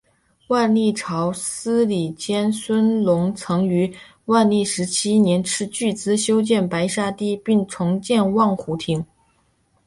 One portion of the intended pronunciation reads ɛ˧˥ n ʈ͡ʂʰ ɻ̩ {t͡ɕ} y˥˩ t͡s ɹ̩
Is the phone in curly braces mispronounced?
no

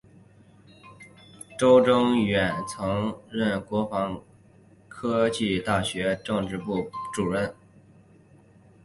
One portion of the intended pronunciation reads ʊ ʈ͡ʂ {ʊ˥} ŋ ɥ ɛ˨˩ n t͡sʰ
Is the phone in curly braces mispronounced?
no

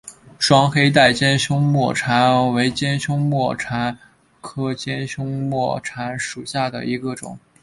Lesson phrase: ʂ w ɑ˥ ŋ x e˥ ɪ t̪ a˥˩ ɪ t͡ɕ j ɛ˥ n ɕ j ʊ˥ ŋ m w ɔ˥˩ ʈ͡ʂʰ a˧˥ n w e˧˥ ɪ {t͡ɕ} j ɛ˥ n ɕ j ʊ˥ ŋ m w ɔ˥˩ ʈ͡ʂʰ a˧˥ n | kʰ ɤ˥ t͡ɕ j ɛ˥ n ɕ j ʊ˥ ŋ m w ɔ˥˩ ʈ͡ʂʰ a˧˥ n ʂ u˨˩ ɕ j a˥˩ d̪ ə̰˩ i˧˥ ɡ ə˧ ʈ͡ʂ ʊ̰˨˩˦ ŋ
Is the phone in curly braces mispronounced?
no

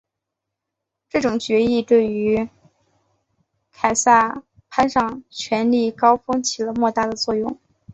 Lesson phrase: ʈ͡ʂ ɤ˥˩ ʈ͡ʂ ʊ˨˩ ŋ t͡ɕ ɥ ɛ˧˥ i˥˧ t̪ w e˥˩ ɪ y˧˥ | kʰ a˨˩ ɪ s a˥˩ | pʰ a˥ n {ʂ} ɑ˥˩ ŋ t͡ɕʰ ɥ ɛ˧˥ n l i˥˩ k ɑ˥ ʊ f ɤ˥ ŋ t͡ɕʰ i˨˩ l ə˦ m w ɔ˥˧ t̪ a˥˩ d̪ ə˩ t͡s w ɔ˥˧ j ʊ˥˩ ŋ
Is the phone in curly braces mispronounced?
no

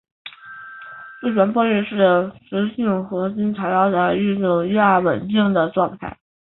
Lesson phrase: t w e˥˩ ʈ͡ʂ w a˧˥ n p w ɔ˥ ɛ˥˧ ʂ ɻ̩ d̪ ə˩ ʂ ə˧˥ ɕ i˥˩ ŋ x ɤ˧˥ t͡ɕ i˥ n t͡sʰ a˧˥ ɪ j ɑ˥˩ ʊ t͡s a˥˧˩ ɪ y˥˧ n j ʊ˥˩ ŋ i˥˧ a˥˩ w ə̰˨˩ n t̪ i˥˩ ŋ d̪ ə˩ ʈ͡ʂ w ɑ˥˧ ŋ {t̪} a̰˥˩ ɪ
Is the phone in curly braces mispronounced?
yes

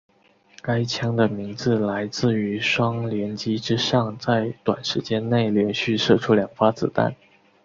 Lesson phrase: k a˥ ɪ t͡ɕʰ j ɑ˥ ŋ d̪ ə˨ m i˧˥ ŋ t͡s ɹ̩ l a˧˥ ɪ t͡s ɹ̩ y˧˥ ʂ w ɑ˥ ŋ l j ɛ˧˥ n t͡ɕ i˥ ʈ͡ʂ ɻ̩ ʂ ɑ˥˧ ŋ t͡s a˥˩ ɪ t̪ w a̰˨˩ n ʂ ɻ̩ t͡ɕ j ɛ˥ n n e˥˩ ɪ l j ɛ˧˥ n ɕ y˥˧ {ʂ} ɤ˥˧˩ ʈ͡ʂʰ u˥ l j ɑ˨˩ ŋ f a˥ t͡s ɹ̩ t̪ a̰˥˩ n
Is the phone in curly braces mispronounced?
no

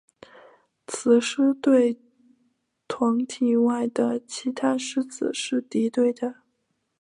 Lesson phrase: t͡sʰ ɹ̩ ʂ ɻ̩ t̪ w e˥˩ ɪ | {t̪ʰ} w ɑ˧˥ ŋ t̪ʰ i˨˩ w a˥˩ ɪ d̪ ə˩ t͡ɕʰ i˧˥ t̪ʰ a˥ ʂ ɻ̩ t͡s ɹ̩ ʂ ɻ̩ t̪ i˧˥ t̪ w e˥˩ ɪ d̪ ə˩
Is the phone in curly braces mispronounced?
no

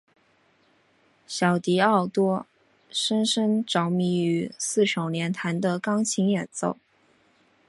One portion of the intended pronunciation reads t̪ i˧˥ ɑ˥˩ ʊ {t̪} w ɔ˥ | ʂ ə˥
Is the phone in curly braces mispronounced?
no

